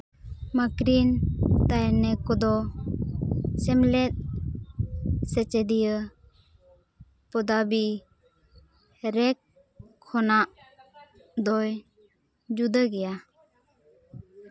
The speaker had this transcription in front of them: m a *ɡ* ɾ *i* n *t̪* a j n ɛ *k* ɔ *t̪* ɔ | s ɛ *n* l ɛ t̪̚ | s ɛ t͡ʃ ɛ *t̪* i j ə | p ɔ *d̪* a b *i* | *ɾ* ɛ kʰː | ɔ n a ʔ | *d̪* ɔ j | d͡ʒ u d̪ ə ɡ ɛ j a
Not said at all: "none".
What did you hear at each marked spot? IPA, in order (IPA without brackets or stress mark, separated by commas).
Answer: k, i, t̪, k, d̪, m, d̪, d̪, i, ɾ, d̪